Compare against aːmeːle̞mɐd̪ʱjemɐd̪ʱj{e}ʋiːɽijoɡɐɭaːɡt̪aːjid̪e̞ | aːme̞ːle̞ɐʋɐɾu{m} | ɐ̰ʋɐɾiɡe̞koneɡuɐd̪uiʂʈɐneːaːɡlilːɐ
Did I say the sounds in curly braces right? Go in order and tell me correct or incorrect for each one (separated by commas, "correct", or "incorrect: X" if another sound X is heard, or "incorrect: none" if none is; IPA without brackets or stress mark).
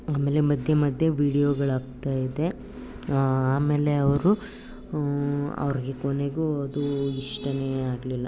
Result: correct, incorrect: none